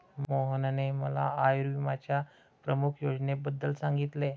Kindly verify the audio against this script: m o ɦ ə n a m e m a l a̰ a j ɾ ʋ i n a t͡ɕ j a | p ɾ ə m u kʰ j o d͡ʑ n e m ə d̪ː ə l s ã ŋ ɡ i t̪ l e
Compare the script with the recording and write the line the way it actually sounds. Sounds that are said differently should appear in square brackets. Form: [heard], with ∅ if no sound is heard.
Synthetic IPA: m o ɦ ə n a [n] e m [ə] l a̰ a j ɾ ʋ i [m] a t͡ɕ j a | p ɾ ə m u kʰ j o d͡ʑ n e [b] ə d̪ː ə l s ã ŋ ɡ i t̪ l e